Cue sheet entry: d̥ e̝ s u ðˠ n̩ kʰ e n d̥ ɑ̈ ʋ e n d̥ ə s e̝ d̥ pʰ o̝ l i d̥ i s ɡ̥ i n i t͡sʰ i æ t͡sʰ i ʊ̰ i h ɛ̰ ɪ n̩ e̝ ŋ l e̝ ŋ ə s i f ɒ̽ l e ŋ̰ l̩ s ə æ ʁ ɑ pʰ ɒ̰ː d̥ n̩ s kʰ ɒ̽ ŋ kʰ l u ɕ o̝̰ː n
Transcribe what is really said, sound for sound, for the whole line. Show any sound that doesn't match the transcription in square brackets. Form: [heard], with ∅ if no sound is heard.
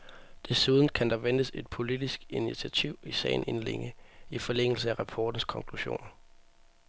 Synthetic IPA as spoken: d̥ e̝ s u ðˠ n̩ kʰ [æ] n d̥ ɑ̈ ʋ e n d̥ ə s e̝ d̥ pʰ o̝ l i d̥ i s ɡ̥ i n i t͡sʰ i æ t͡sʰ i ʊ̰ i [s] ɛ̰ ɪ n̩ e̝ [n] l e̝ ŋ ə [∅] i f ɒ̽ l e ŋ̰ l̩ s ə æ ʁ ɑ pʰ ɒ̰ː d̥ n̩ s kʰ ɒ̽ ŋ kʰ l u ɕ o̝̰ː n